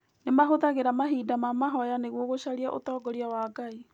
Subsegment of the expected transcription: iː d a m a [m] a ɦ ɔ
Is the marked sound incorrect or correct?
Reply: correct